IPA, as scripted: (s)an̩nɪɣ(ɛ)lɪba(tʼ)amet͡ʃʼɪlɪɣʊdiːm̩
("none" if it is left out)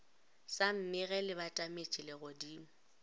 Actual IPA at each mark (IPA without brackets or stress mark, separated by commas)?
s, ɛ, tʼ